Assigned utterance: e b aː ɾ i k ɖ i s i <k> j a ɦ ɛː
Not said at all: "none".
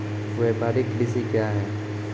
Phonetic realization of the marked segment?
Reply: k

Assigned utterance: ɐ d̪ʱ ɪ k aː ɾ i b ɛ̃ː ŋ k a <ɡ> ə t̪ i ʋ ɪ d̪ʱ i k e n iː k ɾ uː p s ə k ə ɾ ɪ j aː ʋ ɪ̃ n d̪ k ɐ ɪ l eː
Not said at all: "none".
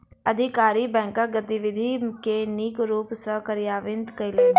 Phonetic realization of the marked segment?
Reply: ɡ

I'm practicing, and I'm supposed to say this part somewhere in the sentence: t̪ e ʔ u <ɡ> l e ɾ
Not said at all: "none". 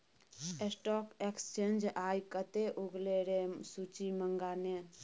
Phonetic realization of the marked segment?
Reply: ɡ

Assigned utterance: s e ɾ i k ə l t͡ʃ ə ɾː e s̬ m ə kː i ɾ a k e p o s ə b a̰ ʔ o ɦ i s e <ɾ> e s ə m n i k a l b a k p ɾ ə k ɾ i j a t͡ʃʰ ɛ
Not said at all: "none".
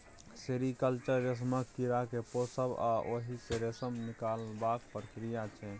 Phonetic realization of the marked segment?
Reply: ɾ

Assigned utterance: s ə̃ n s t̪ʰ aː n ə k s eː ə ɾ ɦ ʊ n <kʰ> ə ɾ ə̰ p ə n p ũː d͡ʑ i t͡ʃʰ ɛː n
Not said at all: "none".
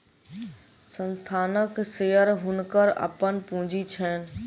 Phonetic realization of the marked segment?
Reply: k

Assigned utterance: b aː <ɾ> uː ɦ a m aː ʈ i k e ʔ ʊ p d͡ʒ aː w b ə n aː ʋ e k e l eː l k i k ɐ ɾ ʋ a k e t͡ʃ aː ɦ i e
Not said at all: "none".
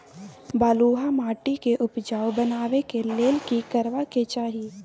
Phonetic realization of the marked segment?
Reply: l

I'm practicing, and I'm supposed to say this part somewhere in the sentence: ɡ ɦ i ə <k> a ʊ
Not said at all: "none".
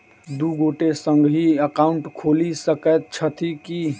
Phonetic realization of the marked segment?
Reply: k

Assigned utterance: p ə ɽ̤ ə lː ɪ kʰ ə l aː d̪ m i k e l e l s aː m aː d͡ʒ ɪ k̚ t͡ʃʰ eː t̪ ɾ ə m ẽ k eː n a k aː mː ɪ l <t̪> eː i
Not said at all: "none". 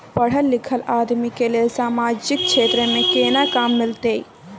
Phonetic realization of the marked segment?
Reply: t̪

